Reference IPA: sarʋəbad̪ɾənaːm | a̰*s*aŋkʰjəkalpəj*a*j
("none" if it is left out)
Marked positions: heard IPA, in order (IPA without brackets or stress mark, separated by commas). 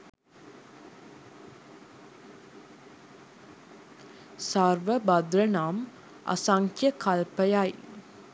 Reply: s, a